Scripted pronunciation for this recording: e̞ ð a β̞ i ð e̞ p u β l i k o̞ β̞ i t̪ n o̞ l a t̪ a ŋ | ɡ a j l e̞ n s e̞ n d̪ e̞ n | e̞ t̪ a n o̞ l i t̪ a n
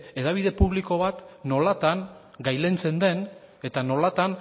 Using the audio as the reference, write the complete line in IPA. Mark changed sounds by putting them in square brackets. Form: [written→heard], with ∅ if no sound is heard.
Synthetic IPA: e̞ ð a β̞ i ð e̞ p u β l i k o̞ β̞ [i→a] t̪ n o̞ l a t̪ a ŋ | ɡ a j l e̞ n [s→t͡s] e̞ n d̪ e̞ n | e̞ t̪ a n o̞ l [i→a] t̪ a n